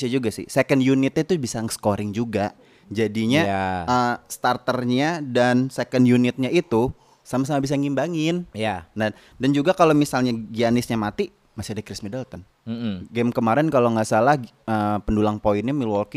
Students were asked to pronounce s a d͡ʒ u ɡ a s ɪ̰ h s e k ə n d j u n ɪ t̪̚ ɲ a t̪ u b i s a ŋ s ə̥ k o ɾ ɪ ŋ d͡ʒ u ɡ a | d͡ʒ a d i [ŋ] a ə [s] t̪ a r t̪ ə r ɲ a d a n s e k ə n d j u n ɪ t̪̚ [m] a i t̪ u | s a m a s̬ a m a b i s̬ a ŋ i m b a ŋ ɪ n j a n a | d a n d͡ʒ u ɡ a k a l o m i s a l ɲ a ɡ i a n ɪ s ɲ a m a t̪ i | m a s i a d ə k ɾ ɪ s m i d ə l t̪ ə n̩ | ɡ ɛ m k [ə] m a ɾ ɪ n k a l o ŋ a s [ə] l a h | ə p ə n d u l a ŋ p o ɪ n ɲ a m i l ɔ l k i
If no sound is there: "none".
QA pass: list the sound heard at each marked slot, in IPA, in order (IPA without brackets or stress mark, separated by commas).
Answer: ɲ, s, ɲ, ə, a